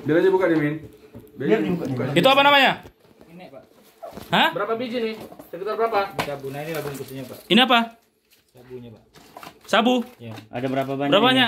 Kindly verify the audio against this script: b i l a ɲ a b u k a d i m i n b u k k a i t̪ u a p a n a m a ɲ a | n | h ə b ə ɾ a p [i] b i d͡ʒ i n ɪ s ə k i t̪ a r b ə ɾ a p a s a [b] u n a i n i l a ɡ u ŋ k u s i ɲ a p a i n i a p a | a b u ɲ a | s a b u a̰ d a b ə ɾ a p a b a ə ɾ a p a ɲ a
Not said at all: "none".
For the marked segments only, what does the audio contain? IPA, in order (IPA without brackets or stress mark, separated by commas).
a, b